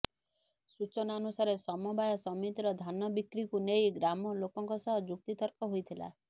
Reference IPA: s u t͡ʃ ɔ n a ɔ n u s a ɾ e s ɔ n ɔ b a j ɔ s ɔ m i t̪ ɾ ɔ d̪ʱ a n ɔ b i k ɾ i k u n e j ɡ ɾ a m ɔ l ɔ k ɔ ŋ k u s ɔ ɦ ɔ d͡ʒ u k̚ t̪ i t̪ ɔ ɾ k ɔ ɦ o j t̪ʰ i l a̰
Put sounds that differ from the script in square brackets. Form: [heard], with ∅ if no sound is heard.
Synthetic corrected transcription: s u t͡ʃ ɔ n a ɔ n u s a ɾ e s ɔ [m] ɔ b a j ɔ s ɔ m i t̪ ɾ ɔ d̪ʱ a n ɔ b i k ɾ i k u n e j ɡ ɾ a m ɔ l [o] k ɔ ŋ k [ɔ] s ɔ ɦ ɔ d͡ʒ u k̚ t̪ i t̪ ɔ ɾ k ɔ ɦ o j t̪ʰ i l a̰